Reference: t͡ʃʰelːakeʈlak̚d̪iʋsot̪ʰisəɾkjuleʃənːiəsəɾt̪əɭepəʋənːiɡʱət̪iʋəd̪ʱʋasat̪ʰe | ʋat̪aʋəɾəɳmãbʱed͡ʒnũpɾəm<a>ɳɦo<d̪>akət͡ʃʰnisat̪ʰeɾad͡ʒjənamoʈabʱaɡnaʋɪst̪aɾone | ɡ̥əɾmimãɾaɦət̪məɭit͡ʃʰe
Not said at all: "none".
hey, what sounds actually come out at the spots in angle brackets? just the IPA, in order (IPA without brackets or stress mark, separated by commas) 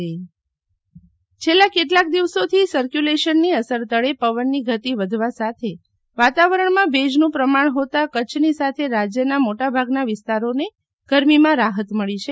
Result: a, t̪